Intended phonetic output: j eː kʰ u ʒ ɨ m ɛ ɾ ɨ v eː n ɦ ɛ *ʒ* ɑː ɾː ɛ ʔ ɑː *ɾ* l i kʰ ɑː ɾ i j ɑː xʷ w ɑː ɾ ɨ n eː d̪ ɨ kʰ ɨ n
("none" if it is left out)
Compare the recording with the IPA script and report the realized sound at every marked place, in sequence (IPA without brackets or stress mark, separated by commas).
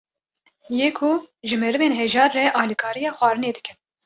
ʒ, none